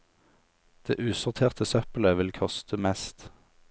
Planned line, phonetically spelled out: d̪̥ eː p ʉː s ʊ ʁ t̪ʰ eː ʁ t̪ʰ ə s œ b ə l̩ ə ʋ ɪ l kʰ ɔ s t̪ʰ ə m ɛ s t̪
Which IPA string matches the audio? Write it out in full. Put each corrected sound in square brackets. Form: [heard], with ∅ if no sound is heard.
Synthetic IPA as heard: d̪̥ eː [ʔ] ʉː s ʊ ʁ t̪ʰ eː ʁ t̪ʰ ə s œ [p] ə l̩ ə ʋ ɪ l kʰ ɔ s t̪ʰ ə m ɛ s t̪